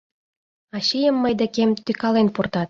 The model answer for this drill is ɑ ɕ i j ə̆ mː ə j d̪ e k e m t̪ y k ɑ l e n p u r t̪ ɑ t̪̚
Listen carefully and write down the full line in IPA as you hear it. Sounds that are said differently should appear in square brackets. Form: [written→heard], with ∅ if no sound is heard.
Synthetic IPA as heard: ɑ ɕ i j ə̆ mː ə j d̪ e k e m t̪ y k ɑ l e n p u r t̪ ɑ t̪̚